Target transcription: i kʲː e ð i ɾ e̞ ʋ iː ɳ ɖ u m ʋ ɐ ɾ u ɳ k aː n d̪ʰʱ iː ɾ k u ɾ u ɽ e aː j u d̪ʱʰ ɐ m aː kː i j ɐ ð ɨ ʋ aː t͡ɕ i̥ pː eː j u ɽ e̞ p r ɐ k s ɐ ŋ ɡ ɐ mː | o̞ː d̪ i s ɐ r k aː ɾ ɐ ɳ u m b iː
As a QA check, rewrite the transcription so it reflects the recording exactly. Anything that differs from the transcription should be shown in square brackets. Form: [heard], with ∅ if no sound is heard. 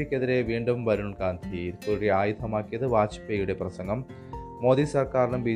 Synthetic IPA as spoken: i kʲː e ð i ɾ e̞ ʋ iː ɳ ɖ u m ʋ ɐ ɾ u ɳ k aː n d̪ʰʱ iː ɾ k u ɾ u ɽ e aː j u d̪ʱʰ ɐ m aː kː i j ɐ ð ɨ ʋ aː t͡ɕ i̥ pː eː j u ɽ e̞ p r ɐ [∅] s ɐ ŋ ɡ ɐ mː | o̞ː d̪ i s ɐ r k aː ɾ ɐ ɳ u m b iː